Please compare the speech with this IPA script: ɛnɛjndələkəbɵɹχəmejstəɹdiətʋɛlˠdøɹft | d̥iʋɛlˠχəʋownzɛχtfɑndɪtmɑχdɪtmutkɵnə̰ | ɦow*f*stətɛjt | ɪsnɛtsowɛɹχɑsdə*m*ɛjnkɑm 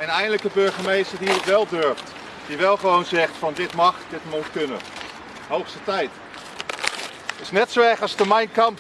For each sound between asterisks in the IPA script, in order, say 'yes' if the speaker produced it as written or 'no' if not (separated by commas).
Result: no, yes